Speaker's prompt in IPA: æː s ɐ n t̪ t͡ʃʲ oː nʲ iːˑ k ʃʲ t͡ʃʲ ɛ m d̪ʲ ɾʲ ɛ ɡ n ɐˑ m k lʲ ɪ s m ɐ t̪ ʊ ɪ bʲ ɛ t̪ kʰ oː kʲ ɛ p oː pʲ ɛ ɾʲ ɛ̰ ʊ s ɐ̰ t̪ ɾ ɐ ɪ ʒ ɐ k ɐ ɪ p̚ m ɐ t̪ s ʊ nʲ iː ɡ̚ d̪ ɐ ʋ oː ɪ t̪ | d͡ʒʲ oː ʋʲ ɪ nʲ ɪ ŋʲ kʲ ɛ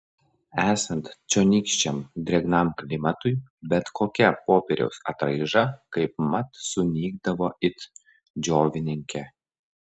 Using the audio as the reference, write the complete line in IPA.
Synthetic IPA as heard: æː s ɐ n t̪ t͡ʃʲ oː nʲ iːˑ k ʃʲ t͡ʃʲ ɛ m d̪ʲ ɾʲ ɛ ɡ n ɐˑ m k lʲ ɪ m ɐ t̪ ʊ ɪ bʲ ɛ t̪ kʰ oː kʲ ɛ p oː pʲ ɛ ɾʲ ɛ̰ ʊ s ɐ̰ t̪ ɾ ɐ ɪ ʒ ɐ k ɐ ɪ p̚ m ɐ t̪ s ʊ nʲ iː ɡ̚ d̪ ɐ ʋ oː ɪ t̪ | d͡ʒʲ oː ʋʲ ɪ nʲ ɪ ŋʲ kʲ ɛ